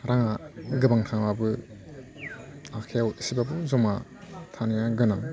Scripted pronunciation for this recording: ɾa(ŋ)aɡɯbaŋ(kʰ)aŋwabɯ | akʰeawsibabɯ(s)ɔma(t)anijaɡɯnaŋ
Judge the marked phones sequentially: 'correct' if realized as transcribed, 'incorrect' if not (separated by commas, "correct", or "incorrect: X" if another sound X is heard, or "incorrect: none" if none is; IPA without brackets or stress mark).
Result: correct, incorrect: tʰ, incorrect: z, incorrect: tʰ